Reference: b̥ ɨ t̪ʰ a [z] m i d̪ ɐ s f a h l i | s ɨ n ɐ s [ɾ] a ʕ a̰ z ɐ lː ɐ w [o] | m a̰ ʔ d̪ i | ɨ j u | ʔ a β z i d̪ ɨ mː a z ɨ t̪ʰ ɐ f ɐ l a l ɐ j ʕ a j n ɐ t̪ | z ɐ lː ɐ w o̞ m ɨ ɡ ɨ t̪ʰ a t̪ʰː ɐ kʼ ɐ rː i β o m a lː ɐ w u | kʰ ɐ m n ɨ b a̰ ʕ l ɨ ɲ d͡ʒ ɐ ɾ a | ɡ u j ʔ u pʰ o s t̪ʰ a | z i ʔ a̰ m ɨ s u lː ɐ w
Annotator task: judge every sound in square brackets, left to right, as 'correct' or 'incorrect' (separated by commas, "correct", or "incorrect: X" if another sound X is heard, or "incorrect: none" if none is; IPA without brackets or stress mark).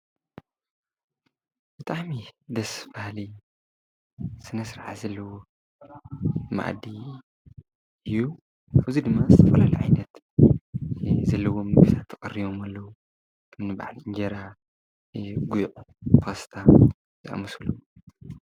incorrect: ʕ, correct, correct